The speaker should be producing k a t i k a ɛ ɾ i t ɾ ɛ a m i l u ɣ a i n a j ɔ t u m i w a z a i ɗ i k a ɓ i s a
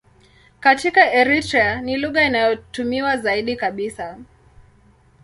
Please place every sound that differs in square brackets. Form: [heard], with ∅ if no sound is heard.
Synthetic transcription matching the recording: k a t i k a ɛ ɾ i t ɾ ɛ a [n] i l u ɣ a i n a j ɔ t u m i w a z a i ɗ i k a ɓ i s a